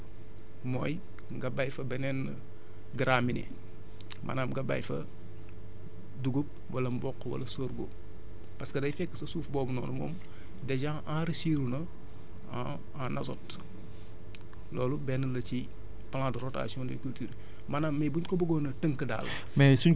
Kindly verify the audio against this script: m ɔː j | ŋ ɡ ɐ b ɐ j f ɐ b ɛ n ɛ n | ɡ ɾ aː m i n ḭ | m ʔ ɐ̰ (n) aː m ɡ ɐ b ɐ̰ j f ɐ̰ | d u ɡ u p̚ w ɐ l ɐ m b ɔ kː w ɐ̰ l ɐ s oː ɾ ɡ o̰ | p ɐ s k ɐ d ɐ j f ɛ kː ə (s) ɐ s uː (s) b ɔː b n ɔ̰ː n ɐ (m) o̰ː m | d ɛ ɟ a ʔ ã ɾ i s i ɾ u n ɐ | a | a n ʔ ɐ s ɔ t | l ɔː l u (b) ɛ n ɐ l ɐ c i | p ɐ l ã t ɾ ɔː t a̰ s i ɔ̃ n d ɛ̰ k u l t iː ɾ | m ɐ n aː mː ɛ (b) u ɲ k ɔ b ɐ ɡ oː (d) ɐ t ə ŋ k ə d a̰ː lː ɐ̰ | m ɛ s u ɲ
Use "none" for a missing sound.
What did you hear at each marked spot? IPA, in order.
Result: n, s, f, m, b, b, n

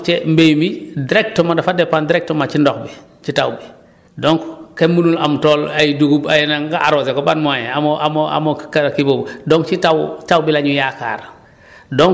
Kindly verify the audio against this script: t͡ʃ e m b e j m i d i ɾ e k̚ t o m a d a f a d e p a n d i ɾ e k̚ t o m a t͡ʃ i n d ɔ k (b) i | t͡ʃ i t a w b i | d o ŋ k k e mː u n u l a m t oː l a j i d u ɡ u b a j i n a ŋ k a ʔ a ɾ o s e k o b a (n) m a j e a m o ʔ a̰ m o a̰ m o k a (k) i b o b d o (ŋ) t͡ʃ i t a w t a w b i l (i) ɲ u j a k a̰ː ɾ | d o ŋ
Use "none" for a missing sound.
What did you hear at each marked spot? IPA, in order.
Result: b, n, k, ŋ, a

